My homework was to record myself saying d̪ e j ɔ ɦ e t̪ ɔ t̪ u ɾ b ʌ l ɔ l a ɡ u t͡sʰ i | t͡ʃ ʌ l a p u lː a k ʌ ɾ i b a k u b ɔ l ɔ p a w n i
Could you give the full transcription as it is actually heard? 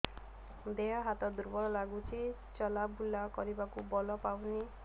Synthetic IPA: d̪ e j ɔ ɦ a t̪ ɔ d̪ u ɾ b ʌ l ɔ l a ɡ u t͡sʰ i | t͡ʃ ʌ l a b u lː a k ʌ ɾ i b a k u b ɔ l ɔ p a w n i